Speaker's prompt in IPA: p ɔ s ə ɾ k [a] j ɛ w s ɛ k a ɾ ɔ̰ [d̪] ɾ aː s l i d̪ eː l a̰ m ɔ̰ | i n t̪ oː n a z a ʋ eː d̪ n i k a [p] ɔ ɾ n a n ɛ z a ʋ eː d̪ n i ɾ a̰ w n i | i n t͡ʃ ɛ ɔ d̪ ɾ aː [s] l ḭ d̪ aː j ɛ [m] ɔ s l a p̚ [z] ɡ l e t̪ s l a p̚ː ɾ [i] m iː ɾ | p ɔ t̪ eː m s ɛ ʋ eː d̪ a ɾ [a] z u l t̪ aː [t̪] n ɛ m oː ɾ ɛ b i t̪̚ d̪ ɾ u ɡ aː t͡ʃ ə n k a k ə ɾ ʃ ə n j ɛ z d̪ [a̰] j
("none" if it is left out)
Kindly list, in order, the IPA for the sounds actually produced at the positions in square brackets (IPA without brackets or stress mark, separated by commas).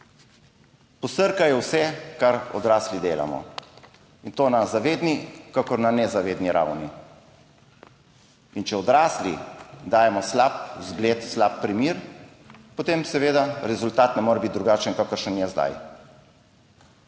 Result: a, d̪, k, s, m, z, i, ɛ, t̪, a̰